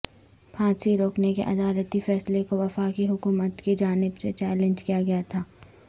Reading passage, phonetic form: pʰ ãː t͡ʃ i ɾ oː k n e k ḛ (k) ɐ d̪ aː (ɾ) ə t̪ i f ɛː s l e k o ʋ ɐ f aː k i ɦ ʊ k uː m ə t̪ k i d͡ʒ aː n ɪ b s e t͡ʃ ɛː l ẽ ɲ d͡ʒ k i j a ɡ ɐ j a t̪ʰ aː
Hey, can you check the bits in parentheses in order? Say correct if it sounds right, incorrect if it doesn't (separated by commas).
incorrect, incorrect